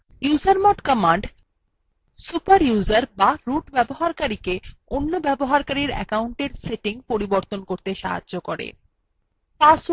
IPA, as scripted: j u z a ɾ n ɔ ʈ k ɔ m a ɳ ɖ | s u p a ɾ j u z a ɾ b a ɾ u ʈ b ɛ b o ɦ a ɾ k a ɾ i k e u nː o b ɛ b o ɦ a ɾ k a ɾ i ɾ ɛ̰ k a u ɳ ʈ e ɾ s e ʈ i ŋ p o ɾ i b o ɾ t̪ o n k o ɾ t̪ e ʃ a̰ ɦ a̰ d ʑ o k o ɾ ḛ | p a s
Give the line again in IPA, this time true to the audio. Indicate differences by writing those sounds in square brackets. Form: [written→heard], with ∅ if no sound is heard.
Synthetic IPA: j u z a ɾ [n→m] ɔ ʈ k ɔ m a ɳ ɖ | s u p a ɾ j u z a ɾ b a ɾ u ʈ b ɛ b o ɦ a ɾ k a ɾ i k e [u→o] nː o b ɛ b o ɦ a ɾ k a ɾ i ɾ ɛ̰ k a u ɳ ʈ e ɾ s e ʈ i ŋ p o ɾ i b o ɾ t̪ o n k o ɾ t̪ e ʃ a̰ ɦ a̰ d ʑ o k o ɾ ḛ | p a s